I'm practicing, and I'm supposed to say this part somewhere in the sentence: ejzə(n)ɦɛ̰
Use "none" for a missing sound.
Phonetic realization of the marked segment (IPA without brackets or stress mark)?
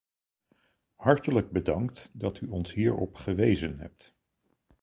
n